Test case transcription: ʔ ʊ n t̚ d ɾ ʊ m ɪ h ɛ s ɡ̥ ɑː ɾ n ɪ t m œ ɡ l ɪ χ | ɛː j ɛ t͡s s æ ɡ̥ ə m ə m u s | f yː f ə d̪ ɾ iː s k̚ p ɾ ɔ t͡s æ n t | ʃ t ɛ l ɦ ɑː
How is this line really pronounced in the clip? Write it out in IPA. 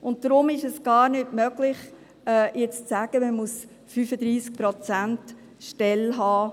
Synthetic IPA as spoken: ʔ ʊ n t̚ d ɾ ʊ m ɪ ʃ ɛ s ɡ̥ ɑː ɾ n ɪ t m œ ɡ l ɪ χ | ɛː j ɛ t͡s t͡s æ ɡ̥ ə m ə m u s | f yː f ə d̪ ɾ iː s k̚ p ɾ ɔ t͡s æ n t | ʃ t ɛ l ɦ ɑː